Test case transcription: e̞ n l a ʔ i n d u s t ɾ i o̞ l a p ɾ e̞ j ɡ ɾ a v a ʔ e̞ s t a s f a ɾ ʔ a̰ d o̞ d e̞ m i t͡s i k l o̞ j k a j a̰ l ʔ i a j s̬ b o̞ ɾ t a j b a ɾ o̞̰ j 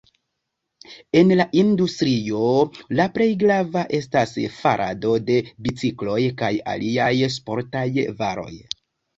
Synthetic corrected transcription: e̞ n l a ʔ i n d u s t ɾ i o̞ l a p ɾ e̞ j ɡ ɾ a v a ʔ e̞ s t a s f a ɾ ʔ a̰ d o̞ d e̞ b i t͡s i k l o̞ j k a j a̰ l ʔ i a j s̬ p o̞ ɾ t a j v a ɾ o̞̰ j

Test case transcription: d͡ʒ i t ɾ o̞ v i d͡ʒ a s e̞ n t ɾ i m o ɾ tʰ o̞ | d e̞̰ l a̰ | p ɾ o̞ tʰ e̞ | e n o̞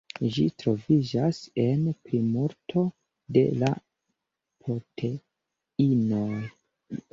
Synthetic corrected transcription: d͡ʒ i t ɾ o̞ v i d͡ʒ a s e̞ n p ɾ i m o ɾ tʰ o̞ | d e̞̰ l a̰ | p ɾ o̞ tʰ e̞ | i n o̞

